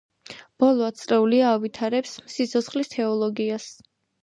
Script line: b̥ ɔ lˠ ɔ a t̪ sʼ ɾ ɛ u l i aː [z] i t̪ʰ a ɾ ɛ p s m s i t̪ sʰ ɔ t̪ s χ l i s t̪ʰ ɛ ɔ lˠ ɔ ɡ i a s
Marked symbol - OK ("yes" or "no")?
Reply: no